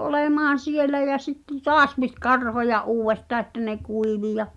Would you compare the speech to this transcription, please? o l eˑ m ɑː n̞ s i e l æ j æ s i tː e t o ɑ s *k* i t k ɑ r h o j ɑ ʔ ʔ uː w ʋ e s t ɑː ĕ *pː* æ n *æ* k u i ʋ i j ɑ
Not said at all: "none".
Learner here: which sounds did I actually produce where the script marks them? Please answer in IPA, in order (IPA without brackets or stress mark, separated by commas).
p, tː, e